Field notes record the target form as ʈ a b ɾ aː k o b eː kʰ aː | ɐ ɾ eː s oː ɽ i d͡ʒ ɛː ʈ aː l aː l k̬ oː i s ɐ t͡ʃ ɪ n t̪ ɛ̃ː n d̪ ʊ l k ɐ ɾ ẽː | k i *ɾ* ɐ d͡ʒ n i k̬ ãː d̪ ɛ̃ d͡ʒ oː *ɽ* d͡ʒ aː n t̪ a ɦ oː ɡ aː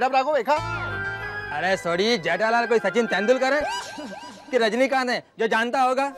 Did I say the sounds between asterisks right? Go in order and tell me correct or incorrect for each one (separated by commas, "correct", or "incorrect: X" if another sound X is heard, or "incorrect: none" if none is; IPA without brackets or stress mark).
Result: correct, incorrect: none